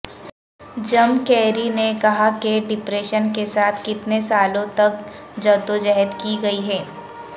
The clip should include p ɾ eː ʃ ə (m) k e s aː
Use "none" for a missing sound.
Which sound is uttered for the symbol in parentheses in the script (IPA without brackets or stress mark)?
n